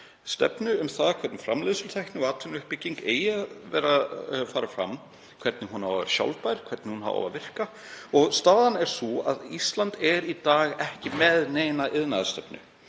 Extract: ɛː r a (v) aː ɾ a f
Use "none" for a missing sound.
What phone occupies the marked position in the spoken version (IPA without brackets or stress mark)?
f